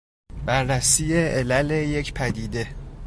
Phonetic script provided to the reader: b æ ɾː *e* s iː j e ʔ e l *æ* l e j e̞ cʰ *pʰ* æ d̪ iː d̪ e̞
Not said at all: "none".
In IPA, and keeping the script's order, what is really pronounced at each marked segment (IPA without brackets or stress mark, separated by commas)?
æ, æ, pʰ